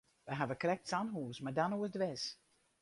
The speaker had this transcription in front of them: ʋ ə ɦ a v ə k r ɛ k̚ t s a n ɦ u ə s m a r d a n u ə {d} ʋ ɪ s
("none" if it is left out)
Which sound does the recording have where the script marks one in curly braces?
d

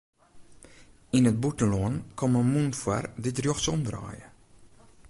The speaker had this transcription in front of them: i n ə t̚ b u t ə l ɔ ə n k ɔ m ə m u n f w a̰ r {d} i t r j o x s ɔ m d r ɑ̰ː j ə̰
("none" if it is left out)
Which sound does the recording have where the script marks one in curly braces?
d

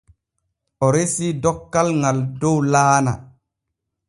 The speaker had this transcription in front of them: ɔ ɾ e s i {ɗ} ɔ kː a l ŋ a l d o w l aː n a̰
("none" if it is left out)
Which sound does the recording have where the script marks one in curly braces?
d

